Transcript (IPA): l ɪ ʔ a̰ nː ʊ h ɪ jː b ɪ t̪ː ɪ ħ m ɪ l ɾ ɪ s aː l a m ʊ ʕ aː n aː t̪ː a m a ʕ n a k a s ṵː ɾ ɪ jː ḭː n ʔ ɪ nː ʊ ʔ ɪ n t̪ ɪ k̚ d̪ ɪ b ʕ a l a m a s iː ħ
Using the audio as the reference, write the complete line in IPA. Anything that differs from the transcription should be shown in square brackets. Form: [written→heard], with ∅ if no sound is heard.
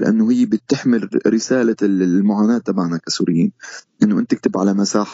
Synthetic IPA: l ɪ ʔ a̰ nː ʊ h ɪ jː b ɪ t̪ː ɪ ħ m ɪ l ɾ ɪ s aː l a m ʊ ʕ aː n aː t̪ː a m a ʕ n a k a s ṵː ɾ ɪ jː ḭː n ʔ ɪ nː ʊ ʔ ɪ n t̪ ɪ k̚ [d̪→t̪] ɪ b ʕ a l a m a s [iː→aː] ħ